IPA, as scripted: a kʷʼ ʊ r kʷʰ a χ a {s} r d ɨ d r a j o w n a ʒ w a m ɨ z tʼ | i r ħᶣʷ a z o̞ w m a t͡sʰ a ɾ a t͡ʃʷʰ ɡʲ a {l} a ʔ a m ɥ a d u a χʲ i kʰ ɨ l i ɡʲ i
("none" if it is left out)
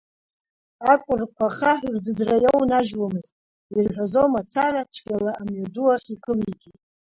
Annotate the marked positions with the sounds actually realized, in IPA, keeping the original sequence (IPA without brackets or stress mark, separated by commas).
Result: ħ, l